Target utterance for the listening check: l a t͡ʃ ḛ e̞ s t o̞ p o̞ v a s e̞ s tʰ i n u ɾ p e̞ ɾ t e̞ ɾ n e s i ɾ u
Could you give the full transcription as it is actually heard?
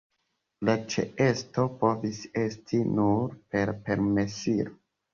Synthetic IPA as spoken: l a t͡ʃ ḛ e̞ s t o̞ p o̞ v i s e̞ s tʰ i n u ɾ p e̞ ɾ p e̞ ɾ m e s i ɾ o